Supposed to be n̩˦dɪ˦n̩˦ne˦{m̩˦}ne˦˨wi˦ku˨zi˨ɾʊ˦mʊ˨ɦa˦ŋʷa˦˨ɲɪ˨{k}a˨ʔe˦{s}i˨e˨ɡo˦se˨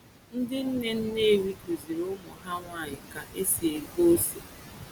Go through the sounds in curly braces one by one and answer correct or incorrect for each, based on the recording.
incorrect: n̩˦, correct, correct

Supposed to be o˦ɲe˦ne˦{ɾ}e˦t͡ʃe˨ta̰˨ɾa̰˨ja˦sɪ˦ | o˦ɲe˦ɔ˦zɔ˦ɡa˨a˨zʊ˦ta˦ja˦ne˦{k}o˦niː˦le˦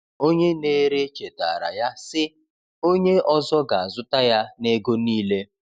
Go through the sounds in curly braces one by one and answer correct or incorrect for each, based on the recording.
correct, incorrect: ɡ

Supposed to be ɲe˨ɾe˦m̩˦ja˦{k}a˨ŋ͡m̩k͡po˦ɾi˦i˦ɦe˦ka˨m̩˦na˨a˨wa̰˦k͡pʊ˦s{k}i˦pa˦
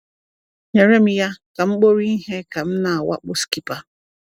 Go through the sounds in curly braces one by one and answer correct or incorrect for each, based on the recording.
correct, correct

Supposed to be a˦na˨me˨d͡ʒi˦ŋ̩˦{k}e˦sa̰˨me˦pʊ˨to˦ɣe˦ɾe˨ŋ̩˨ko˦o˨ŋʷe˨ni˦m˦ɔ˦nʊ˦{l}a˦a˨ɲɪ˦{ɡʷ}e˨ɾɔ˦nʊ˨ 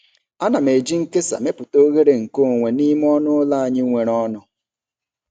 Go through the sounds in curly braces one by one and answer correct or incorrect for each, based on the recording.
correct, correct, incorrect: ŋʷ

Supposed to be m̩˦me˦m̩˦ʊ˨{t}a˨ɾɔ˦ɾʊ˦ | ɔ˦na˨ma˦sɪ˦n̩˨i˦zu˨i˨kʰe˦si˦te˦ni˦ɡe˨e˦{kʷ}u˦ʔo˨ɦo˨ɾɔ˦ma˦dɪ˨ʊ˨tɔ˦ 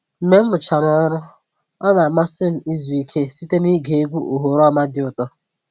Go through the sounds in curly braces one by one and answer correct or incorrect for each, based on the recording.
incorrect: t͡ʃ, incorrect: ɡʷ

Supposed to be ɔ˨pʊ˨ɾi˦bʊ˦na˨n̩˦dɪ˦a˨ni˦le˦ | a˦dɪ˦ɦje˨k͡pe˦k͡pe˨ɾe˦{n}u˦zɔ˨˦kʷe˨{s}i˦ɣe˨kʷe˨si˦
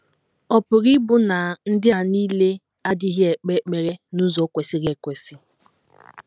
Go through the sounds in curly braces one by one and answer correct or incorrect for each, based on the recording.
correct, correct

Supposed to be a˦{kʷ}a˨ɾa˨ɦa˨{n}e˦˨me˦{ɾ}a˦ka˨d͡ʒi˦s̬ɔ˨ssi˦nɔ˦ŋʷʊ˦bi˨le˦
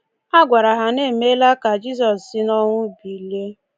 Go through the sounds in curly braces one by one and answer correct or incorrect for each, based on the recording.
incorrect: ɡʷ, correct, incorrect: l

